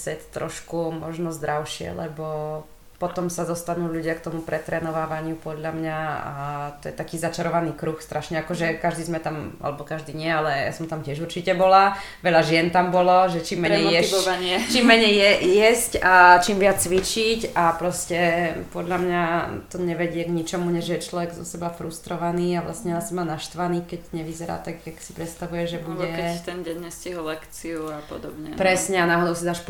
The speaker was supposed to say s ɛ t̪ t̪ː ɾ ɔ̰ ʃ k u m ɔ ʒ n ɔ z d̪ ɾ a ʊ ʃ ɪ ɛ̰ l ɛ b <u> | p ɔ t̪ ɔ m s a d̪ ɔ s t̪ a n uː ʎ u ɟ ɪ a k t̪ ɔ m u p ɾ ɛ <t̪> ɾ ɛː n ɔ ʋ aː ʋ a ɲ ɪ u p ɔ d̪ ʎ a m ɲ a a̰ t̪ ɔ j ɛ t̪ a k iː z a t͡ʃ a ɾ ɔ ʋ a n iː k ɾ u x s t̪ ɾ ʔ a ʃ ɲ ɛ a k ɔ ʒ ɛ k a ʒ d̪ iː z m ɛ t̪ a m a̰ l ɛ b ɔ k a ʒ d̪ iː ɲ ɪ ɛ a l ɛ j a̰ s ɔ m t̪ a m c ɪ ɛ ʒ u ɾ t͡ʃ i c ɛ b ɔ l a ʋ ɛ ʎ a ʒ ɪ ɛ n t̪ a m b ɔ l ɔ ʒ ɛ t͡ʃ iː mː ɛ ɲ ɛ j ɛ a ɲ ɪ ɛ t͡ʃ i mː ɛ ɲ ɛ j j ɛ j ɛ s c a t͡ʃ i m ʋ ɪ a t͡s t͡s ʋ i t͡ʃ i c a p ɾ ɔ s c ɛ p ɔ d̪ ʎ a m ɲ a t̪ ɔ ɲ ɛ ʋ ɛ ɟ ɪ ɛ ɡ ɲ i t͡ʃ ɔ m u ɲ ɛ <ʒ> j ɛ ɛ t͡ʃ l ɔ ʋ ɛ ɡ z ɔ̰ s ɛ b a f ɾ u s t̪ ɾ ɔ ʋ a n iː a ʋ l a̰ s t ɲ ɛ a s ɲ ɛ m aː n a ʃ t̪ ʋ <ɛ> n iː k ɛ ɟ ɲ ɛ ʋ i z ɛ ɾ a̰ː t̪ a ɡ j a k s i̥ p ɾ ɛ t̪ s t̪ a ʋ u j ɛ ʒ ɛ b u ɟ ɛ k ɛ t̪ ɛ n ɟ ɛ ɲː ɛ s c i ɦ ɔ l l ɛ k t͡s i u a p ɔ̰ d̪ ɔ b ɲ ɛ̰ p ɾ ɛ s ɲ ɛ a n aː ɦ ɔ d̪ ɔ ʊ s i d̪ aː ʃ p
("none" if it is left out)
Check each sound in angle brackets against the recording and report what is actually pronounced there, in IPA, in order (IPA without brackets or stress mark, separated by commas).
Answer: ɔ, t̪, ʒ, a